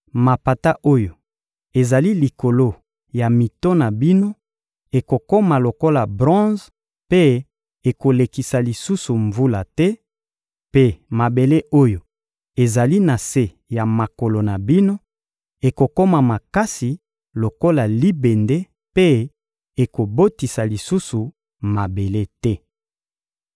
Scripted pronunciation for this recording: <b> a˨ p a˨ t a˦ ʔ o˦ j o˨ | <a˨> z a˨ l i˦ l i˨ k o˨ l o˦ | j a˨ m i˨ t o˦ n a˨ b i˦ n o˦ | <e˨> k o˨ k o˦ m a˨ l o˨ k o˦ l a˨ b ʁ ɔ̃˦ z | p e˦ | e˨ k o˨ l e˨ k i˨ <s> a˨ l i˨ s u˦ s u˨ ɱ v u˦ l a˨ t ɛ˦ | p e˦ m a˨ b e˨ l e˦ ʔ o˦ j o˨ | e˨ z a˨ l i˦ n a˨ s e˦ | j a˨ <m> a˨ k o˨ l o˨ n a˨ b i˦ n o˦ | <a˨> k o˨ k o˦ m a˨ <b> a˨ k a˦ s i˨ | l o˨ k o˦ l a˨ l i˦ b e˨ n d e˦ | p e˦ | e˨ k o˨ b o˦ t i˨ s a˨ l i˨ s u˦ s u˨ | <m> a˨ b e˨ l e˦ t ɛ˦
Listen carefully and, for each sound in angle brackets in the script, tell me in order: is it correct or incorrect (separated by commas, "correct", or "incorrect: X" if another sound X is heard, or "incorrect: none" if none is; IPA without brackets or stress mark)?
incorrect: m, incorrect: e˨, correct, correct, correct, incorrect: e˨, incorrect: m, correct